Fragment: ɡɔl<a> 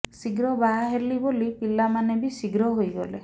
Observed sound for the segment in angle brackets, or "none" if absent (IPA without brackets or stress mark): e